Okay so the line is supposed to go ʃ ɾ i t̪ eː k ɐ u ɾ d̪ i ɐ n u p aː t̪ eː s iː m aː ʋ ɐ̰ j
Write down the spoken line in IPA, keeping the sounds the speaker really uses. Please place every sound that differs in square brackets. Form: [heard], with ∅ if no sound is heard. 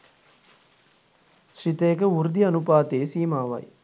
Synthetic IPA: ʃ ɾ i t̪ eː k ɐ u ɾ d̪ i ɐ n u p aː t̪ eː s iː m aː ʋ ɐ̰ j